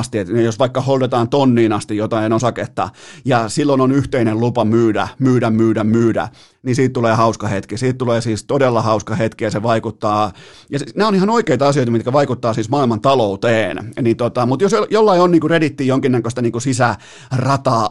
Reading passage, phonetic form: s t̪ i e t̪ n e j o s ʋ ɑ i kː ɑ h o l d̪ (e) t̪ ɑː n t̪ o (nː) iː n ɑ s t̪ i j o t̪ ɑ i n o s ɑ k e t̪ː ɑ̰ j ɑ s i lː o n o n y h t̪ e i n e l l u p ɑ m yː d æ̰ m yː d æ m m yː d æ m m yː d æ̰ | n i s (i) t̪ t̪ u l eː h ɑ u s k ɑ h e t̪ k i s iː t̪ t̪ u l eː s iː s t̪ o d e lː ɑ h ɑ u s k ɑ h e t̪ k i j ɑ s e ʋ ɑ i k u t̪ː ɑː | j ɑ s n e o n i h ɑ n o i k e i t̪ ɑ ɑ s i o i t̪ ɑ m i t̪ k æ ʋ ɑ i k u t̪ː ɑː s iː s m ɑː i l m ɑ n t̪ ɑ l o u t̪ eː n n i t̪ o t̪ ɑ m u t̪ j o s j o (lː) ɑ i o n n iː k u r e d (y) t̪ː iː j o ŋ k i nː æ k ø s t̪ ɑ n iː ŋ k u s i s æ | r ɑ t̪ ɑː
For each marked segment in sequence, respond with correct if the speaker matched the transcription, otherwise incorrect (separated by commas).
correct, correct, incorrect, correct, incorrect